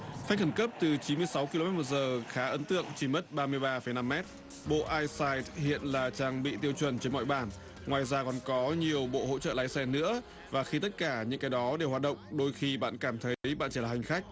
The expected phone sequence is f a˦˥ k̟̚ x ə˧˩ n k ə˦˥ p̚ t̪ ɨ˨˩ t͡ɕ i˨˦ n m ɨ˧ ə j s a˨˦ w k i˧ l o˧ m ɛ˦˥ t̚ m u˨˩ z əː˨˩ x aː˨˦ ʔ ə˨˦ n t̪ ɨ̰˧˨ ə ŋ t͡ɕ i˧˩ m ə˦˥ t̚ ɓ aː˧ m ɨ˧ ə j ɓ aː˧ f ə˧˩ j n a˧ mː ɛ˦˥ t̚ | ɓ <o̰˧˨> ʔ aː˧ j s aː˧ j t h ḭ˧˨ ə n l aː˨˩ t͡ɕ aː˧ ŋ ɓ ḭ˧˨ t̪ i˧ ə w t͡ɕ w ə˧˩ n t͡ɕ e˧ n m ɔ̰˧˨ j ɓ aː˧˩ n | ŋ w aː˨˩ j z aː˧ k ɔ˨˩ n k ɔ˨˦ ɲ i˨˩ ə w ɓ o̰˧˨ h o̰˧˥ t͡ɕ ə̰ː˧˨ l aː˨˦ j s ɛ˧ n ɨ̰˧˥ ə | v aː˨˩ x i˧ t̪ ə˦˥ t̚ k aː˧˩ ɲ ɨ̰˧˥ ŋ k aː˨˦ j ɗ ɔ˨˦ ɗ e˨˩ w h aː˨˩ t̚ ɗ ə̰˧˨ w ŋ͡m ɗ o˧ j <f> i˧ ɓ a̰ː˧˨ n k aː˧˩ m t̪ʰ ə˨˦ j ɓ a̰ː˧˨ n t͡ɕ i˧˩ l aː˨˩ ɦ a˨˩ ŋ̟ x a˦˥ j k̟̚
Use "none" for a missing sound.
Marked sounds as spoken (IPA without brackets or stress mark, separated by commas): o̰˧˨, x